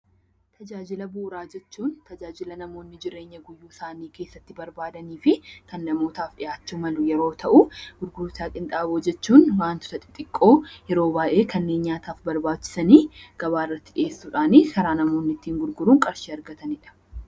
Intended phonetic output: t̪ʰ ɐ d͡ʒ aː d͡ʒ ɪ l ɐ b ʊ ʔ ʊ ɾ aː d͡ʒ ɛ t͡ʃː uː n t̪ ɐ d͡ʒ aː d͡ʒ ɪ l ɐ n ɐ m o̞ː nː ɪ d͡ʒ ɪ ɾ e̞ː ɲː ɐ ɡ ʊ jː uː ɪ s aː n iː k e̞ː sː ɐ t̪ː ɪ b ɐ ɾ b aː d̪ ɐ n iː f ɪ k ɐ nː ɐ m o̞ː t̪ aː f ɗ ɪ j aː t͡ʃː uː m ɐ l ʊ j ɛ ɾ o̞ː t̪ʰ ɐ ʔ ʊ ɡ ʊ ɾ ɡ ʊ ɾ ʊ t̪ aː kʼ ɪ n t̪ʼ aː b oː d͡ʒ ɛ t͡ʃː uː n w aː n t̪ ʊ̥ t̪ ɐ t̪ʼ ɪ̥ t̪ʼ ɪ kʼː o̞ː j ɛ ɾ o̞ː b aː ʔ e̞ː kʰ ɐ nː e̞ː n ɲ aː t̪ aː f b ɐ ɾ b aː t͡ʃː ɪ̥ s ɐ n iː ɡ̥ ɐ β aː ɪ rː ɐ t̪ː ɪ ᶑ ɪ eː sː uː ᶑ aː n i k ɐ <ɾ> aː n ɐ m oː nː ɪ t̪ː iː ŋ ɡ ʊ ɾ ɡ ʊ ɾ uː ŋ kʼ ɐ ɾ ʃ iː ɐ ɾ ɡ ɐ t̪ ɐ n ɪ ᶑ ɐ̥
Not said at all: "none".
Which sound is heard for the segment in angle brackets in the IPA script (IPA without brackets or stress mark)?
ɾ